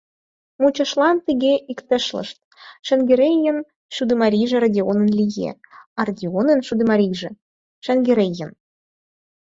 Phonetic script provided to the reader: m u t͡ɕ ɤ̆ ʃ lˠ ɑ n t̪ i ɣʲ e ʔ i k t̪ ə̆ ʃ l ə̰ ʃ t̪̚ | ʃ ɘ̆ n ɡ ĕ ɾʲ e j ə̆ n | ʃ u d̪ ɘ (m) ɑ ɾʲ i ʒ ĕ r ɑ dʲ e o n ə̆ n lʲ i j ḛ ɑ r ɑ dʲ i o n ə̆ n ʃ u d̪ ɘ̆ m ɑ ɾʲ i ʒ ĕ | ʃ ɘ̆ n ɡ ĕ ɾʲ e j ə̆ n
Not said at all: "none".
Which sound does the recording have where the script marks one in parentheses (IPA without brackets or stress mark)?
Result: m